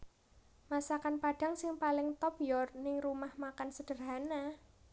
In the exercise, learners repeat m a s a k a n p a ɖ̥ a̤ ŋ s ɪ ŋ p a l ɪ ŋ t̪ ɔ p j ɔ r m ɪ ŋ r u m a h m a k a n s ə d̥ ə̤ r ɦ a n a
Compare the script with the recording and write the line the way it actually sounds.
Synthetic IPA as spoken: m a s a k a n p a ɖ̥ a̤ ŋ s ɪ ŋ p a l ɪ ŋ t̪ ɔ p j ɔ r n ɪ ŋ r u m a h m a k a n s ə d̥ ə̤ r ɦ a n a